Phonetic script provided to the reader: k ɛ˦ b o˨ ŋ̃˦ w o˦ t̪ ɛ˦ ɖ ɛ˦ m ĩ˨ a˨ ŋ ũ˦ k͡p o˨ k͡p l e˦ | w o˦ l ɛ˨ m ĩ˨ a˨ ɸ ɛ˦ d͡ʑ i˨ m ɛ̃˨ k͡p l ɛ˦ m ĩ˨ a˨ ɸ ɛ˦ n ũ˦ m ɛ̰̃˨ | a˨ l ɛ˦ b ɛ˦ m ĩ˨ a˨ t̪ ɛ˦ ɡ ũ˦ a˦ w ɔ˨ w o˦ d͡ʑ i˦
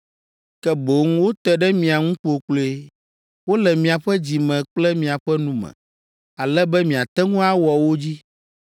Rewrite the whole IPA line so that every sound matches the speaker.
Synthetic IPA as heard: k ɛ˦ b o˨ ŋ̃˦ w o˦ t̪ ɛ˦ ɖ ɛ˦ m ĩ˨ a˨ ŋ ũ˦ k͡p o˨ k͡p l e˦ | w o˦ l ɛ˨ m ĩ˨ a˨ ɸ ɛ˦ d͡ʑ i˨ m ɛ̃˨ k͡p l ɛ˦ m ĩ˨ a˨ ɸ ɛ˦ n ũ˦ m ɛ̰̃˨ | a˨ l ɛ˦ b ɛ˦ m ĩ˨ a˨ t̪ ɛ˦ ŋ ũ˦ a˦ w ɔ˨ w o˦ d͡ʑ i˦